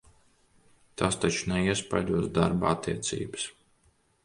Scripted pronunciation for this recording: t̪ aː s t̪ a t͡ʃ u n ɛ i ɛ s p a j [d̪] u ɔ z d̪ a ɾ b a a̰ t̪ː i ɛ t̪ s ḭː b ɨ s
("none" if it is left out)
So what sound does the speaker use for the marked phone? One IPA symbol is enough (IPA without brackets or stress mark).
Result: d̪